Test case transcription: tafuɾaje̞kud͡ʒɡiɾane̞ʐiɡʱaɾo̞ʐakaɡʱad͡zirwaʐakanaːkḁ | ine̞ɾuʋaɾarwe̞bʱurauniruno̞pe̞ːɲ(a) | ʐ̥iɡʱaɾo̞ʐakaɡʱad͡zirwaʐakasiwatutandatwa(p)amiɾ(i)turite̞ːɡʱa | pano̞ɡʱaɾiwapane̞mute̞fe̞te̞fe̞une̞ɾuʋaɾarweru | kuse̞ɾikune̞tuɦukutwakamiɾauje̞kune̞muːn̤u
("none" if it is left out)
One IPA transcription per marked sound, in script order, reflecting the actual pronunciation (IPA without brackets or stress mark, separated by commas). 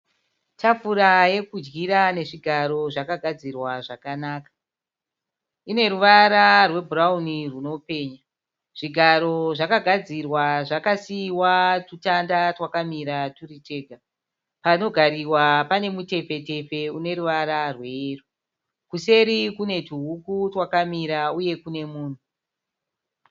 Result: a, k, a